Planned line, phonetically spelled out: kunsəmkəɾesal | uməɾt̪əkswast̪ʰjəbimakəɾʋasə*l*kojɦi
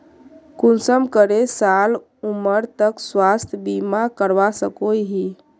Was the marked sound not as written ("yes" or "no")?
yes